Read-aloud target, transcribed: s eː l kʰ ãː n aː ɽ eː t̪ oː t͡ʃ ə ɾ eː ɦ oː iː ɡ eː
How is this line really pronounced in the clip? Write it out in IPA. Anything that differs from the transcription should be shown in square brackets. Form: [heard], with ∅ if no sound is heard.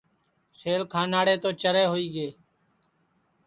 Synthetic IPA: s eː l kʰ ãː n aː ɽ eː t̪ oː t͡ʃ ə ɾ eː ɦ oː iː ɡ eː

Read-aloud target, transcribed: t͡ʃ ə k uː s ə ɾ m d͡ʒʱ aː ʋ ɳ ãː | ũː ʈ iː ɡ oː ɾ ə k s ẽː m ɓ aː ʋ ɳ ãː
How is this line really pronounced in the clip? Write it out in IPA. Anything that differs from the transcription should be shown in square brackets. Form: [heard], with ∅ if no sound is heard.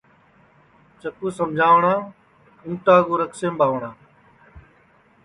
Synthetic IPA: t͡ʃ ə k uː s ə [∅] m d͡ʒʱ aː ʋ ɳ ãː | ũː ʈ [aː] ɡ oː ɾ ə k s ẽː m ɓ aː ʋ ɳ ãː

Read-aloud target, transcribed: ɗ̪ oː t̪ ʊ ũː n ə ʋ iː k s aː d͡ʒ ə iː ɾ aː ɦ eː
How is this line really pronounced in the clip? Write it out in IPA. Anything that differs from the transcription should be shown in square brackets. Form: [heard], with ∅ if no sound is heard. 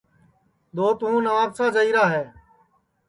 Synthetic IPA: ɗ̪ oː t̪ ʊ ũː n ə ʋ [aː] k s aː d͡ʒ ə iː ɾ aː ɦ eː

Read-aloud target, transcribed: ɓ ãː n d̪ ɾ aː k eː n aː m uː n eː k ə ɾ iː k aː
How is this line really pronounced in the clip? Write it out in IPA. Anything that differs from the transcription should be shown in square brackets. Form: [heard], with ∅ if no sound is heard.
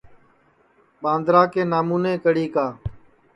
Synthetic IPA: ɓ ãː n d̪ ɾ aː k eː n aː m uː n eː k ə [ɽ] iː k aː

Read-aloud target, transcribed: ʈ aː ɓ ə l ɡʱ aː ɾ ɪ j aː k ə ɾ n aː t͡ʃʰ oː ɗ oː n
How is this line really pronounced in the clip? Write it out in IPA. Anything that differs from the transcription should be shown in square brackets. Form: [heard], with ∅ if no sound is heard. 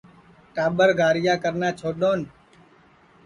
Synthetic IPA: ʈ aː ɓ ə [ɾ] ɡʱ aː ɾ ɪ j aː k ə ɾ n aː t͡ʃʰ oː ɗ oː n

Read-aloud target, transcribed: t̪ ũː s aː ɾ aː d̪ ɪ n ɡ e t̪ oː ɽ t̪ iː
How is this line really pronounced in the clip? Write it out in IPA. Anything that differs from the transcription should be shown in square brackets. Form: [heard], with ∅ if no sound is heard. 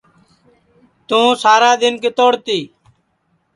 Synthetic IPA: t̪ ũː s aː ɾ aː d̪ ɪ n [k] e t̪ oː ɽ t̪ iː

